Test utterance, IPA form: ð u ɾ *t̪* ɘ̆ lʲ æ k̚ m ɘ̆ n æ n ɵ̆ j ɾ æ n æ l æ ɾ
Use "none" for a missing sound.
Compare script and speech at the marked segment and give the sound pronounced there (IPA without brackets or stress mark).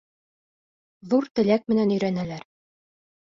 t̪